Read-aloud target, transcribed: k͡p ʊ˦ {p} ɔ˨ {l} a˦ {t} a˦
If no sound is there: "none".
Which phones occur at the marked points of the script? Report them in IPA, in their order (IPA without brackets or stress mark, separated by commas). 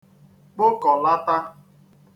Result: k, l, t